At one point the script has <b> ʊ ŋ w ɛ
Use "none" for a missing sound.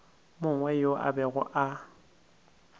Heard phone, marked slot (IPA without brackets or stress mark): m